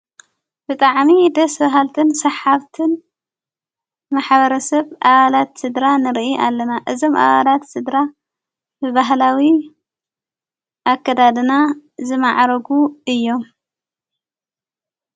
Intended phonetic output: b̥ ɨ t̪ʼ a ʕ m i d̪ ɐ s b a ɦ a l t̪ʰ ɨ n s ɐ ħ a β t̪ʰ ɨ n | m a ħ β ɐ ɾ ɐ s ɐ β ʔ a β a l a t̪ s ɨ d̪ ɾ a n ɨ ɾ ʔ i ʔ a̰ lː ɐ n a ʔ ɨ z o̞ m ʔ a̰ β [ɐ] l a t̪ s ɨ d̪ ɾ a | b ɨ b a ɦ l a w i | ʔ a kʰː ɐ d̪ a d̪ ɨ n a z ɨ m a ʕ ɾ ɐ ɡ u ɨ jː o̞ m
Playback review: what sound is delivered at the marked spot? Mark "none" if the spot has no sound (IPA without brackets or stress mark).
a